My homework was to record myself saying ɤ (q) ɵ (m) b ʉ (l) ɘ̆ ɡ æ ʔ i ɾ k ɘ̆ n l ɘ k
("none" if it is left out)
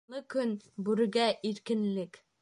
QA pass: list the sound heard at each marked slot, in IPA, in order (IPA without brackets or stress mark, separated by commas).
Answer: k, n, ɾ